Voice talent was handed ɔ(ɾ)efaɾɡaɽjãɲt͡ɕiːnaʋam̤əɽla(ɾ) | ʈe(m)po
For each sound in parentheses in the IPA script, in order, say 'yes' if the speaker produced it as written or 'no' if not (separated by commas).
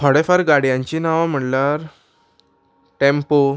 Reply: no, yes, yes